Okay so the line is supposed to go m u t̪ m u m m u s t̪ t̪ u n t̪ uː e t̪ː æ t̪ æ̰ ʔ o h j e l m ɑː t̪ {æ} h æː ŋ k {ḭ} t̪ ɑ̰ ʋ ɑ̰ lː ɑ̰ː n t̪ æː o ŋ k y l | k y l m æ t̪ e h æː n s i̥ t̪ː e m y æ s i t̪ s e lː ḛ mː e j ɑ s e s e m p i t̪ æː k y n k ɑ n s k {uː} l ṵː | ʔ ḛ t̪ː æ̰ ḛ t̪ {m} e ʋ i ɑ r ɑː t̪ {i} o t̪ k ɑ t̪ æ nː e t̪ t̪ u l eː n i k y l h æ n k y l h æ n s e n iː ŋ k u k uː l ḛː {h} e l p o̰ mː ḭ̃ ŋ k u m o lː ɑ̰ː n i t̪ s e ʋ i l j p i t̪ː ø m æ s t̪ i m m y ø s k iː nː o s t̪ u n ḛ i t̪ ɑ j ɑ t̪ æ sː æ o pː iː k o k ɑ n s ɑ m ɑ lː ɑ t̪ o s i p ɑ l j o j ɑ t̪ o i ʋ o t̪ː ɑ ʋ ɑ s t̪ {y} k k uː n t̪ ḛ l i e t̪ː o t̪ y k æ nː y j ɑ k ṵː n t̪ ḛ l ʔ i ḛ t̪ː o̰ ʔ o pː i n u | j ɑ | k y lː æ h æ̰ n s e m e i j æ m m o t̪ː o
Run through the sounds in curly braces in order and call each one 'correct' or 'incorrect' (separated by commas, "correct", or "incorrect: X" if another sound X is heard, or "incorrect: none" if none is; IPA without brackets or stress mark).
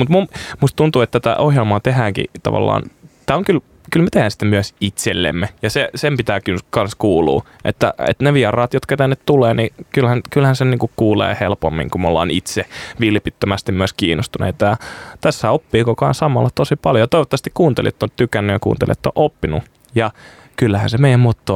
incorrect: e, correct, correct, incorrect: n, incorrect: j, correct, incorrect: i